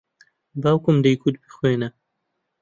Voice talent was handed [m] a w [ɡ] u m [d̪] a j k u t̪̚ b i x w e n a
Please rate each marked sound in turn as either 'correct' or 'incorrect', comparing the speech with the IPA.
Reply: incorrect: b, incorrect: k, correct

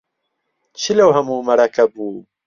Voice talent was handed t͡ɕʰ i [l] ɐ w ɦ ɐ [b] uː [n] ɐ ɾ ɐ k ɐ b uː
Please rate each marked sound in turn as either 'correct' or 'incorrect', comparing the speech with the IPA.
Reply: correct, incorrect: m, incorrect: m

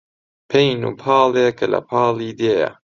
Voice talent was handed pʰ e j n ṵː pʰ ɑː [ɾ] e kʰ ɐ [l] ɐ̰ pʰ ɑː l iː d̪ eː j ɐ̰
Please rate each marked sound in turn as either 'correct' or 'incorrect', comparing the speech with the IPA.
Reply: incorrect: l, correct

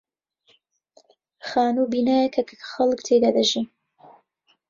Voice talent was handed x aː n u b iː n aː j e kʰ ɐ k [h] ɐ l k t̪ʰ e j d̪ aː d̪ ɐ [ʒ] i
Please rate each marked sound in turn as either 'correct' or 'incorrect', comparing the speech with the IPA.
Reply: incorrect: x, correct

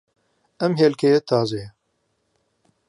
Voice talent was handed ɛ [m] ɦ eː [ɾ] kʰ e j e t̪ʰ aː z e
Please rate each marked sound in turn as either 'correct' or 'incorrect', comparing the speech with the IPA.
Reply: correct, incorrect: l

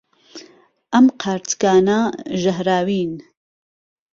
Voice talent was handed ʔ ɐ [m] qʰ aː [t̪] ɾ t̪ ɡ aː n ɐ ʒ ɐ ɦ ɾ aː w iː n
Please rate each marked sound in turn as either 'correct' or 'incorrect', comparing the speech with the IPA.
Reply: correct, incorrect: none

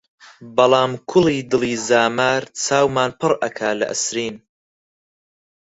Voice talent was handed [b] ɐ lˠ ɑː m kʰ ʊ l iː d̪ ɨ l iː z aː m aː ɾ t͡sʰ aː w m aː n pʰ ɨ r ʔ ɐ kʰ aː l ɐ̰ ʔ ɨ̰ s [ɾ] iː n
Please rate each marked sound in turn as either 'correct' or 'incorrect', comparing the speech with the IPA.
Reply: correct, correct

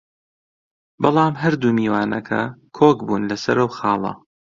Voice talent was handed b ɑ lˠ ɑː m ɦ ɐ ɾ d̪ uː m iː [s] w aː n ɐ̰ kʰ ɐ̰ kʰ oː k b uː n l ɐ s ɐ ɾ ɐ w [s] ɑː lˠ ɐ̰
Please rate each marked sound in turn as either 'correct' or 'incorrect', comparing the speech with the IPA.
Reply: incorrect: none, incorrect: x

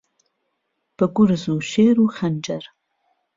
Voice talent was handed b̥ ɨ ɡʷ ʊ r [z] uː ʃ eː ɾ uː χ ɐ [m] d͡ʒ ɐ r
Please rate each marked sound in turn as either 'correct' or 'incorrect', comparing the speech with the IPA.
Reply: correct, incorrect: n

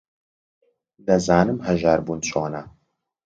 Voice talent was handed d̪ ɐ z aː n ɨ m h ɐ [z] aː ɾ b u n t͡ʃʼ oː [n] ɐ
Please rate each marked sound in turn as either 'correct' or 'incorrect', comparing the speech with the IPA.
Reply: incorrect: ʒ, correct

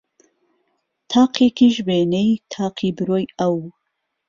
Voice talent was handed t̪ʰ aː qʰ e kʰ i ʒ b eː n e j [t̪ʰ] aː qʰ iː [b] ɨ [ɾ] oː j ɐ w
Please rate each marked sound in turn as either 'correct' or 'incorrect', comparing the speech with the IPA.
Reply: correct, correct, correct

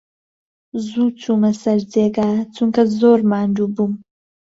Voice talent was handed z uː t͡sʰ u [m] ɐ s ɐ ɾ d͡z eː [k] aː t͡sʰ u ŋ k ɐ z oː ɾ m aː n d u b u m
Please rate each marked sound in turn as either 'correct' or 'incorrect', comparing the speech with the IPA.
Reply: correct, incorrect: ɡ

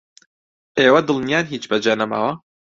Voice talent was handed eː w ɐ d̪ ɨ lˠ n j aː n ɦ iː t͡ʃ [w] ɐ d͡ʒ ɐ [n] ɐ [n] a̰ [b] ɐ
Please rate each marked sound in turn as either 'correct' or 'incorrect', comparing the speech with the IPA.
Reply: incorrect: b, correct, incorrect: m, incorrect: w

